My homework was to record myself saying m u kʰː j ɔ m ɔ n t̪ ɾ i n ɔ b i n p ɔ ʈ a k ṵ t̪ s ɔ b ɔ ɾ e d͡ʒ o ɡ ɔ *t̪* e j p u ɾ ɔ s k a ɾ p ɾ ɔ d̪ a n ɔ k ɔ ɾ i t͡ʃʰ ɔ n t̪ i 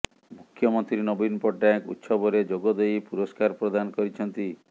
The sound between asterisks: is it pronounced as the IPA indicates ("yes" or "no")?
no